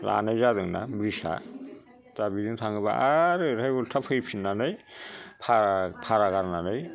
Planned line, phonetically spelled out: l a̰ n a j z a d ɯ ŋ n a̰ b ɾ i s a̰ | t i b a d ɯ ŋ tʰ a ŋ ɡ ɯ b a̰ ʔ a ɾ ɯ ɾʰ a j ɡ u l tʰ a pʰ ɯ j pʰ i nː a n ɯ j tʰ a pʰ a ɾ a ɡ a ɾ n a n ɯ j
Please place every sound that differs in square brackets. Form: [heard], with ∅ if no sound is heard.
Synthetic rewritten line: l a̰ n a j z a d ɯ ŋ n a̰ b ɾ i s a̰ | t [a] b [i] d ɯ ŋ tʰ a ŋ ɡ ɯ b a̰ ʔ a ɾ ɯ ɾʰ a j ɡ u l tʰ a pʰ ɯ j pʰ i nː a n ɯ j [pʰ] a pʰ a ɾ a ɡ a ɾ n a n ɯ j